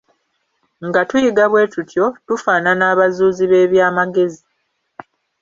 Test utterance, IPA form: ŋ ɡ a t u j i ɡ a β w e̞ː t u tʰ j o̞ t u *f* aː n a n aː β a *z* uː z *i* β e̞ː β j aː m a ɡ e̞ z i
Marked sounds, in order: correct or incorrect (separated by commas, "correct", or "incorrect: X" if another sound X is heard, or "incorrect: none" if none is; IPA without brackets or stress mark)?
correct, correct, correct